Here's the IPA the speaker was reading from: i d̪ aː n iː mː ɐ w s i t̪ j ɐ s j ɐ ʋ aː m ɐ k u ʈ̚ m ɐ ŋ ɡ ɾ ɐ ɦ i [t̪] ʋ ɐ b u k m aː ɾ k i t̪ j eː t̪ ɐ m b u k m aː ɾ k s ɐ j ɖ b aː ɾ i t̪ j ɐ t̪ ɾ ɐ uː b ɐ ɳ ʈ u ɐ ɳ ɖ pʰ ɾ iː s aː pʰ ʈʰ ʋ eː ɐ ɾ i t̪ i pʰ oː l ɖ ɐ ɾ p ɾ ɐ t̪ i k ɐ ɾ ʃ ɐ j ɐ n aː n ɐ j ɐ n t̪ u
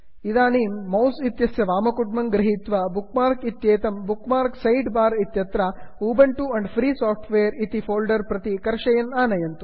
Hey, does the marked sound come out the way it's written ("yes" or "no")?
yes